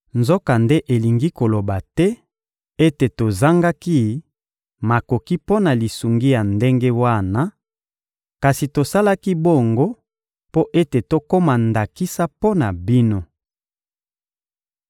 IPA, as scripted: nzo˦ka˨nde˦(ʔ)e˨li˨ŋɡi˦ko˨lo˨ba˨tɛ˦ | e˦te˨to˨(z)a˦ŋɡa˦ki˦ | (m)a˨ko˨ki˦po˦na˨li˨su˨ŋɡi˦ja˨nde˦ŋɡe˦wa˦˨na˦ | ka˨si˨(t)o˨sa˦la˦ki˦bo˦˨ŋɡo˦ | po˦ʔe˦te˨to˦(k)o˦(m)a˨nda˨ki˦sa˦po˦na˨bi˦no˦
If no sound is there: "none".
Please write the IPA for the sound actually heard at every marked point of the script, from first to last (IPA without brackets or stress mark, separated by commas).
ʔ, z, m, t, k, m